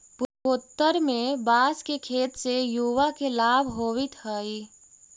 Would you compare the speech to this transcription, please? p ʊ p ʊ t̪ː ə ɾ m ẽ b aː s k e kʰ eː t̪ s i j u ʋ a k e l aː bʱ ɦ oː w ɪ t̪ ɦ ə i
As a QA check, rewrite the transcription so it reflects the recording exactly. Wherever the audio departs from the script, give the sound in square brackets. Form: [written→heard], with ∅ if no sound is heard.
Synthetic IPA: p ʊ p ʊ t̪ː ə ɾ m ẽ b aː s k e kʰ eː t̪ s [i→e] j u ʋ a k e l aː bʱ ɦ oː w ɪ t̪ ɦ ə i